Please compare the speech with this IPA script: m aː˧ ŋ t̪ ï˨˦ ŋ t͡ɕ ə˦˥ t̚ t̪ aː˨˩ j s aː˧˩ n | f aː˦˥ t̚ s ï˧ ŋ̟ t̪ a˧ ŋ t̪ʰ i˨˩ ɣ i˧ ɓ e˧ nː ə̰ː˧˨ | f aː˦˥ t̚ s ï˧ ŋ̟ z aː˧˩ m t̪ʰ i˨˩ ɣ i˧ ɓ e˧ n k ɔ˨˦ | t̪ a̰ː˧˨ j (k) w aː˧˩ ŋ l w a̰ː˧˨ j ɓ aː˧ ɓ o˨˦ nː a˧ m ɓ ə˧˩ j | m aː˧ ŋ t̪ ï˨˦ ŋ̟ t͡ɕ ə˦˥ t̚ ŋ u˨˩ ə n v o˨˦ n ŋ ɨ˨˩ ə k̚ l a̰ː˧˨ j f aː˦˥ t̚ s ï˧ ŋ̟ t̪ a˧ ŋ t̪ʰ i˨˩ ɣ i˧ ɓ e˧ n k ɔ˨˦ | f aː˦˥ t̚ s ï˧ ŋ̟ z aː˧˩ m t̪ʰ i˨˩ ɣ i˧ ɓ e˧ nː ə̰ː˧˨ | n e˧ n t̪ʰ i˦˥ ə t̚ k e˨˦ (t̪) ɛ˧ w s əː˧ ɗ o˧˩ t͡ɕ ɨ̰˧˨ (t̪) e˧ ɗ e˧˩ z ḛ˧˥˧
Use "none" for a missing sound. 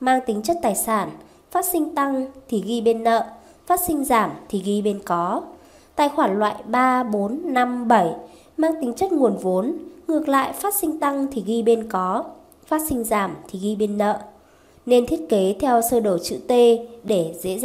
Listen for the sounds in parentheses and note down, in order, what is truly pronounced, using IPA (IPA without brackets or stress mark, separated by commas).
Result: x, t̪ʰ, t̪